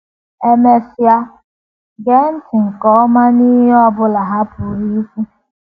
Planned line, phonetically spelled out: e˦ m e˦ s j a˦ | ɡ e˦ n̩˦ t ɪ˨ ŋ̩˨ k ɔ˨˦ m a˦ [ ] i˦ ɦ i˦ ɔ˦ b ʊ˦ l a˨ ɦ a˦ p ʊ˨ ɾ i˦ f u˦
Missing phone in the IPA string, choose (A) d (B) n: B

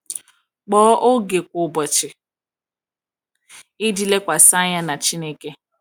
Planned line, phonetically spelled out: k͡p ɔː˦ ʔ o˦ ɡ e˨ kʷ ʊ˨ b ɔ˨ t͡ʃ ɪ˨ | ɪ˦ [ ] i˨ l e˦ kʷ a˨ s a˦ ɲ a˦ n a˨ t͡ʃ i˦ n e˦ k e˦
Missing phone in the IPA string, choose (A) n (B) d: B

